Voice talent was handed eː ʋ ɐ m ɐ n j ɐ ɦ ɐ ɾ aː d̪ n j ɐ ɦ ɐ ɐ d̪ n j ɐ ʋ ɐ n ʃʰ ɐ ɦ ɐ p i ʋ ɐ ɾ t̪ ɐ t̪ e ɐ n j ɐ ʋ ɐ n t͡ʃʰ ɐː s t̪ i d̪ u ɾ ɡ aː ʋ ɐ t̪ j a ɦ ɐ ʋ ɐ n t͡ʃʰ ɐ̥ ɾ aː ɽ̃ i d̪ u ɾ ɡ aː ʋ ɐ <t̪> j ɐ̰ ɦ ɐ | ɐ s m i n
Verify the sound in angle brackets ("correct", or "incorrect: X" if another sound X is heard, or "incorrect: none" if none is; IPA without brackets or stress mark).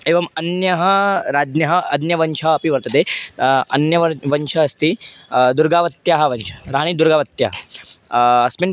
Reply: correct